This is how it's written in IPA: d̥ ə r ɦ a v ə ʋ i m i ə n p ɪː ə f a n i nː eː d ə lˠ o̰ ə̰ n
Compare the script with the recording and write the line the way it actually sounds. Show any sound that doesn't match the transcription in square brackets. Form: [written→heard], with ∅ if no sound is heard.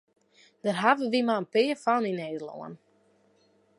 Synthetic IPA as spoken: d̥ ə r ɦ a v ə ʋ i m [i→a] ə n p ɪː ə f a n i [nː→n] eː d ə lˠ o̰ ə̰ n